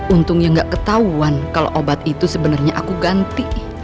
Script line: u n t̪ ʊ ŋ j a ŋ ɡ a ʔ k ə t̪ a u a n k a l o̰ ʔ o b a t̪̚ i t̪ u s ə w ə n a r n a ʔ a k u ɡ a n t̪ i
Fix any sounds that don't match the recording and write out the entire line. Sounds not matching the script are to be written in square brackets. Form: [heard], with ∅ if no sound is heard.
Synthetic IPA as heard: u n t̪ ʊ ŋ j a ŋ ɡ a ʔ k ə t̪ a u a n k a l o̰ ʔ o b a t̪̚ i t̪ u s ə [b] ə n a r [ɲ] a ʔ a k u ɡ a n t̪ i